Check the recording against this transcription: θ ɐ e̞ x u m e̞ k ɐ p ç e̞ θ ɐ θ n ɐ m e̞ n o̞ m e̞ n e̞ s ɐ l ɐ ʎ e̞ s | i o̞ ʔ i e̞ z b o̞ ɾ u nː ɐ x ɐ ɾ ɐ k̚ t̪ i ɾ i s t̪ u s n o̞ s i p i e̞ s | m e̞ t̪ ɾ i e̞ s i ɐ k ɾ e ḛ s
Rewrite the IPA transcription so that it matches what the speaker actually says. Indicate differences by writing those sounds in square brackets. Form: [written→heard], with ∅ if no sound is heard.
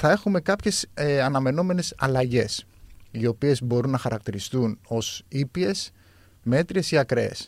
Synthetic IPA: θ ɐ e̞ x u m e̞ k ɐ p ç e̞ [θ→s] ɐ [θ→∅] n ɐ m e̞ n o̞ m e̞ n e̞ s ɐ l ɐ [ʎ→ʝ] e̞ s | i o̞ [ʔ→p] i e̞ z b o̞ ɾ u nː ɐ x ɐ ɾ ɐ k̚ t̪ i ɾ i s t̪ u [s→∅] n o̞ s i p i e̞ s | m e̞ t̪ ɾ i e̞ s i ɐ k ɾ e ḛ s